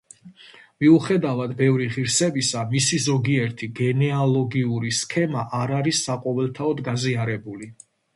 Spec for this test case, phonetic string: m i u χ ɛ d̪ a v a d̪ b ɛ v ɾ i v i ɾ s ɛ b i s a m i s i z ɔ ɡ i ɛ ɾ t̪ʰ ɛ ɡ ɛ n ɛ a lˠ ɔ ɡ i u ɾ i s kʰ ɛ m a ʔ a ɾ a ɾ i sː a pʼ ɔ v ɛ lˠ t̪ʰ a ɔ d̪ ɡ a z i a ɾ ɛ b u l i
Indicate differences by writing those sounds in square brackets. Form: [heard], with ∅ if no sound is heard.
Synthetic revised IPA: m i u χ ɛ d̪ a v a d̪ b ɛ v ɾ i [ʁ] i ɾ s ɛ b i s a m i s i z ɔ ɡ i ɛ ɾ t̪ʰ [i] ɡ ɛ n ɛ a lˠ ɔ ɡ i u ɾ i s kʰ ɛ m a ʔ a ɾ a ɾ i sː a [qʼ] ɔ v ɛ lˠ t̪ʰ a ɔ d̪ ɡ a z i a ɾ ɛ b u l i